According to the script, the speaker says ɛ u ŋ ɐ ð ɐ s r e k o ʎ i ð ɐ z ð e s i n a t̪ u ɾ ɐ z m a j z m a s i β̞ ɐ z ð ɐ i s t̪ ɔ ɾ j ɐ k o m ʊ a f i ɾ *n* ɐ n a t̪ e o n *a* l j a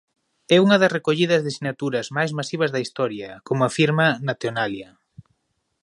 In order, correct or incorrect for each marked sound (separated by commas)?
incorrect, correct